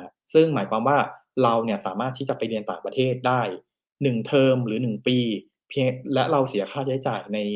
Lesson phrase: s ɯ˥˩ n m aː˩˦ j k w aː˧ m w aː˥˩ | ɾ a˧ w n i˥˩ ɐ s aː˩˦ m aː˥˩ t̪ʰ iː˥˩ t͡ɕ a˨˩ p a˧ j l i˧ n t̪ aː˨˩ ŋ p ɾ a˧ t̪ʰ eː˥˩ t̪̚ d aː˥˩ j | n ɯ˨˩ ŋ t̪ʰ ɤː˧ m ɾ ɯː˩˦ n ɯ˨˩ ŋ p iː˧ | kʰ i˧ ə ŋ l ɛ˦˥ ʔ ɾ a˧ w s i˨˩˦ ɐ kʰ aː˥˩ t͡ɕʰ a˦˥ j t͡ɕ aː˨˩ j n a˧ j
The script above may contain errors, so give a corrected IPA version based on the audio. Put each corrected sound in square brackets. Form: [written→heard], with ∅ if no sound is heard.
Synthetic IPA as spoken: s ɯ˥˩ [n→ŋ] m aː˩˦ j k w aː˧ m w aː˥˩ | ɾ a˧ w n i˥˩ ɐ s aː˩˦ m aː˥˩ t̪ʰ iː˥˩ t͡ɕ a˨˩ p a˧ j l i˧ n t̪ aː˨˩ ŋ p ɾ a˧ t̪ʰ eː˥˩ t̪̚ d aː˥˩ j | n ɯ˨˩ ŋ t̪ʰ ɤː˧ m ɾ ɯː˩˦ n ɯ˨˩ ŋ p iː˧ | [kʰ→pʰ] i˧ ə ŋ l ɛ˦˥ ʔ ɾ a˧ w s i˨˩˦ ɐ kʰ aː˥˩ t͡ɕʰ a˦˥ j t͡ɕ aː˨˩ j n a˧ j